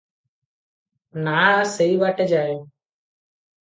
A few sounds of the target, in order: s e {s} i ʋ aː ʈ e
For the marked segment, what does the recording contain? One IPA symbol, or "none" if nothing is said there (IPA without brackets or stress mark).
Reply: none